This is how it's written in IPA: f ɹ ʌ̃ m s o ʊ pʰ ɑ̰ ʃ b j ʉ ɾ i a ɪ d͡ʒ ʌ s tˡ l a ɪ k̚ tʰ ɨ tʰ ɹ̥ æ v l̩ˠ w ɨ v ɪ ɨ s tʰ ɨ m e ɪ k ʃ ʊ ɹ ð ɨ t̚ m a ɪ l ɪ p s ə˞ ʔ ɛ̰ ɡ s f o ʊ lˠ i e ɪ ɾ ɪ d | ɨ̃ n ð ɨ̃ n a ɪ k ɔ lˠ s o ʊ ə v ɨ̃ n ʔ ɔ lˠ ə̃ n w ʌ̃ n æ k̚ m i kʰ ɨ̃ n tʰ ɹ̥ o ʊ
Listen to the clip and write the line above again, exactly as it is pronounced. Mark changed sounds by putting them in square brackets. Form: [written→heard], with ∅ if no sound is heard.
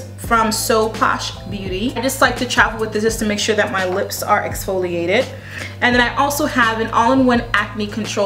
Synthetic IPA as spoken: f ɹ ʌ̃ m s o ʊ pʰ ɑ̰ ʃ b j ʉ ɾ i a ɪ d͡ʒ ʌ s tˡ l a ɪ k̚ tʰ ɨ tʰ ɹ̥ æ v l̩ˠ w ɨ [v→ð] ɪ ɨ s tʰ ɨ m e ɪ k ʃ ʊ ɹ ð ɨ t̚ m a ɪ l ɪ p s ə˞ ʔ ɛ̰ [ɡ→k] s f o ʊ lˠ i e ɪ ɾ ɪ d | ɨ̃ n ð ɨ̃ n a ɪ [k→ʔ] ɔ lˠ s o ʊ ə v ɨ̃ n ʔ ɔ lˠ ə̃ n w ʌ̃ n æ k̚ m i kʰ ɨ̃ n tʰ ɹ̥ o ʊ